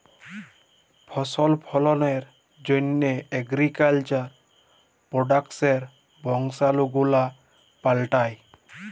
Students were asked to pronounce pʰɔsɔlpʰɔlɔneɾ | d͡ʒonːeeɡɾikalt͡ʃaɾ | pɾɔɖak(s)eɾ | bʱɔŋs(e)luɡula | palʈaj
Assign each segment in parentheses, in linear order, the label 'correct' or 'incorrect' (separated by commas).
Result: correct, incorrect